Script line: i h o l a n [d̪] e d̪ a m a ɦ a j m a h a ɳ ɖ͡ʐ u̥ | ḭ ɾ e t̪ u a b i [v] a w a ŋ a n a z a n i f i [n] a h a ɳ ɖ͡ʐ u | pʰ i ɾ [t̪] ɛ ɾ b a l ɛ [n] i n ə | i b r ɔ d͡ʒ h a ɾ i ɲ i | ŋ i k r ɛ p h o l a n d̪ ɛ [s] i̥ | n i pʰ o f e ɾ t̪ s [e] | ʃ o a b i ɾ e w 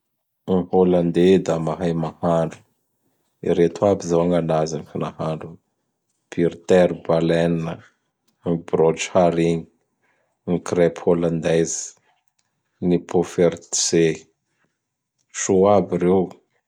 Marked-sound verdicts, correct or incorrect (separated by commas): correct, incorrect, correct, correct, correct, incorrect, correct